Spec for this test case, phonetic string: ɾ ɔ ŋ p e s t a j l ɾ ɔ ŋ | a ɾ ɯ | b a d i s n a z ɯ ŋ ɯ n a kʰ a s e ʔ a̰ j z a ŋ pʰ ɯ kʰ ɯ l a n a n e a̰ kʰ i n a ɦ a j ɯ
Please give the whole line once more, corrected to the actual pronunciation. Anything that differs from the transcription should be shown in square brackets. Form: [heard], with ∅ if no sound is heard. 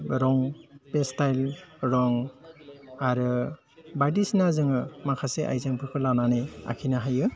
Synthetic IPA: ɾ ɔ ŋ p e s t a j l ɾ ɔ ŋ | a ɾ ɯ | b a d i s n a z ɯ ŋ ɯ [m] a kʰ a s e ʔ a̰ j z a ŋ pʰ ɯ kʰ ɯ l a n a n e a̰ kʰ i n a ɦ a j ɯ